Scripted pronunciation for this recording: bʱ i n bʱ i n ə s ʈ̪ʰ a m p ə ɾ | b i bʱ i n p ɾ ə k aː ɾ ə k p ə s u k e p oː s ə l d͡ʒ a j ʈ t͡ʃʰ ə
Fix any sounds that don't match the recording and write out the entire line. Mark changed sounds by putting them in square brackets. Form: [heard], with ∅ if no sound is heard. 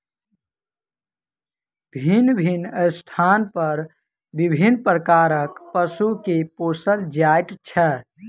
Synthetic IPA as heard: bʱ i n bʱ i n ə s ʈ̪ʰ a [n] p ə ɾ | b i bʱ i n p ɾ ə k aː ɾ ə k p ə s u k e p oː s ə l d͡ʒ a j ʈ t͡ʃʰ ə